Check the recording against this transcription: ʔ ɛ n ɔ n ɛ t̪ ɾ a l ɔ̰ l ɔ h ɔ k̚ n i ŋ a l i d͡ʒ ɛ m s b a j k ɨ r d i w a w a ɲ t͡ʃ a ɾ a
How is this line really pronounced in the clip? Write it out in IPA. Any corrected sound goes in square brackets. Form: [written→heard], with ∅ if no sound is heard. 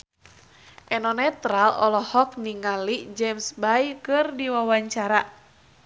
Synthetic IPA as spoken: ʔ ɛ n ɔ n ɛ t̪ ɾ a l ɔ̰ l ɔ h ɔ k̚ n i ŋ a l i d͡ʒ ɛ m s b a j k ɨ r d i w a w a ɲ t͡ʃ a ɾ a